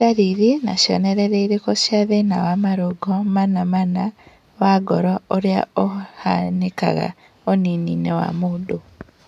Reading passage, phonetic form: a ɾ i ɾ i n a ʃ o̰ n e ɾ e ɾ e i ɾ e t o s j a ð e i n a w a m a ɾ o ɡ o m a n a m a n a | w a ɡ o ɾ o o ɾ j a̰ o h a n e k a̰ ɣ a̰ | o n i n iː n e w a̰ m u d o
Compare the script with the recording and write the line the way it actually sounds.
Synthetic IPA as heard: a ɾ i ɾ i n a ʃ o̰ n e ɾ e ɾ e i ɾ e k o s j a ð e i n a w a m a ɾ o ɡ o m a n a m a n a | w a ɡ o ɾ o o ɾ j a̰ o h a n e k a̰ ɣ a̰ | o n i n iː n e w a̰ m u d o